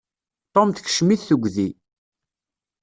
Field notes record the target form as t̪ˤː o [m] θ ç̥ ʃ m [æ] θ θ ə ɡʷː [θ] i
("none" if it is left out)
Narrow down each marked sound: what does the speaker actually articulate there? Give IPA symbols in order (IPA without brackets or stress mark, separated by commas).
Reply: m, i, ð